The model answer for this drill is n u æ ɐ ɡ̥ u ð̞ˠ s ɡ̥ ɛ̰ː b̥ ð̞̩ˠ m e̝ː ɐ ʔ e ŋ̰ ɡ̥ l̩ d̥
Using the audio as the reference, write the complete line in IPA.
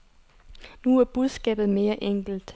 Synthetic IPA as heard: n u æ ɐ b̥ u ð̞ˠ s ɡ̥ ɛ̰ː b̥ ð̞̩ˠ m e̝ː ɐ ʔ e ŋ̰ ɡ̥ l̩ d̥